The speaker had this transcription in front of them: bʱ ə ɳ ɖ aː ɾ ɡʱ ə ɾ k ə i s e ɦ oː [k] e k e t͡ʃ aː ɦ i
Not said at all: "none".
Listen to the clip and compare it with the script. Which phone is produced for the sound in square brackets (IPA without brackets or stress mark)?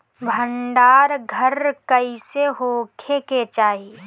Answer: kʰ